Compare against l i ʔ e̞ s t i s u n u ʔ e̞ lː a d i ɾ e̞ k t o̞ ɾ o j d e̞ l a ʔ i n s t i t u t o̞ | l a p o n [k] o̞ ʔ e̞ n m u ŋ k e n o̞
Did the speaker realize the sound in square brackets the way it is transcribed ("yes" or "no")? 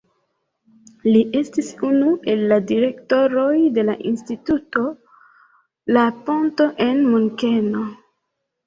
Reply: no